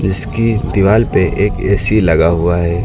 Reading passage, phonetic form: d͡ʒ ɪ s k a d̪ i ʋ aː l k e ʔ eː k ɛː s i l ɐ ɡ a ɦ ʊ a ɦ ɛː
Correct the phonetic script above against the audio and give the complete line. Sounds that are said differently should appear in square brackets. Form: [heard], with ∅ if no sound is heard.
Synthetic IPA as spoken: d͡ʒ ɪ s k [i] d̪ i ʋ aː l [p] e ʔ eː k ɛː s i l ɐ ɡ a ɦ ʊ a ɦ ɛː